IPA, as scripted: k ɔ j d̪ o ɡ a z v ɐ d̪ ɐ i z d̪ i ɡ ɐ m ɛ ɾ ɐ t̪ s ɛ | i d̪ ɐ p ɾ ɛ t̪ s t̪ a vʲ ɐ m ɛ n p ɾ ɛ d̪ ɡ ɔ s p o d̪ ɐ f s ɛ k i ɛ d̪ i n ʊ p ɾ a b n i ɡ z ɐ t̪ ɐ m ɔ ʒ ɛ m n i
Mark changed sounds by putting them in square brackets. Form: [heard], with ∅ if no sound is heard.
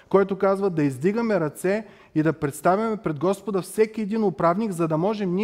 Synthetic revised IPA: k ɔ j [t̪] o [k] a z v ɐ d̪ ɐ i z d̪ i ɡ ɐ m ɛ ɾ ɐ t̪ s ɛ | i d̪ ɐ p ɾ ɛ t̪ s t̪ a vʲ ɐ m ɛ [∅] p ɾ ɛ d̪ ɡ ɔ s p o d̪ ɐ f s ɛ k i ɛ d̪ i n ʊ p ɾ a [v] n i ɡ z ɐ [d̪] ɐ m ɔ ʒ ɛ m n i